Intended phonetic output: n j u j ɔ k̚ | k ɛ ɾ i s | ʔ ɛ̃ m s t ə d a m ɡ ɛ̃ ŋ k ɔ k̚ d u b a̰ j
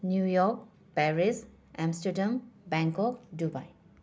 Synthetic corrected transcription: n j u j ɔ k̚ | p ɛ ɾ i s | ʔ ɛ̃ m s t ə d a m b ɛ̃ ŋ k ɔ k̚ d u b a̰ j